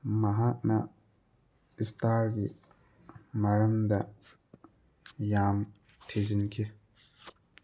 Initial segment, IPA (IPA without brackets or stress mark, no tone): m